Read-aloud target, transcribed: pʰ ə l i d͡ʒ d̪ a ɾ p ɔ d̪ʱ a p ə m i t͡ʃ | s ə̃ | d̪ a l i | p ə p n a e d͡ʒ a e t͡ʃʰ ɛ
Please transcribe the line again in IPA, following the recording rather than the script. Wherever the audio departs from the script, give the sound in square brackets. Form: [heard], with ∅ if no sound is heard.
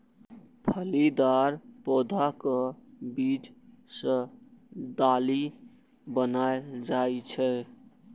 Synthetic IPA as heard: pʰ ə l i [∅] d̪ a ɾ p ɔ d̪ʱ a [k] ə [b] i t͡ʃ | s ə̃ | d̪ a l i | [b] ə [∅] n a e d͡ʒ a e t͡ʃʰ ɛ